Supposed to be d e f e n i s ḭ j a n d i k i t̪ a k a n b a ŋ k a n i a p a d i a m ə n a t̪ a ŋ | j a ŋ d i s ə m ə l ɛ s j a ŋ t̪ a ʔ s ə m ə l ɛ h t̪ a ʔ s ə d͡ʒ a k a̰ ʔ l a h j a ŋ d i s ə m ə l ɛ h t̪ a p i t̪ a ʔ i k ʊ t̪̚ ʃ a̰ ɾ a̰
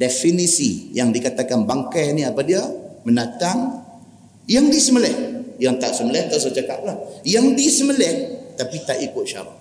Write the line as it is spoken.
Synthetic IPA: d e f i n i s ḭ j a ŋ d i k a t̪ a k a n b a ŋ k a n i a p a d i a m ə n a t̪ a ŋ | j a ŋ d i s ə m ə l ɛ h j a ŋ t̪ a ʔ s ə m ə l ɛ h t̪ a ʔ s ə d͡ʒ a k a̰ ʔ l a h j a ŋ d i s ə m ə l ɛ h t̪ a p i t̪ a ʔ i k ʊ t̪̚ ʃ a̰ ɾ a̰